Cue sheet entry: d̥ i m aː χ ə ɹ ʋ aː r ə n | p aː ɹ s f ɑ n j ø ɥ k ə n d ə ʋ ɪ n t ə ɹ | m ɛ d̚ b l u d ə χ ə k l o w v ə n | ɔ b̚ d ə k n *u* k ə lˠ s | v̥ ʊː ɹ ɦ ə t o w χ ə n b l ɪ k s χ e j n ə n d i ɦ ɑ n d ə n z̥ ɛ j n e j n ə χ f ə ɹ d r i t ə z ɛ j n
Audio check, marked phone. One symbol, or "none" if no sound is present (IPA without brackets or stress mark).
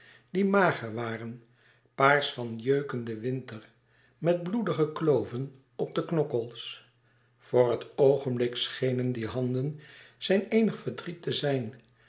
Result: ɔ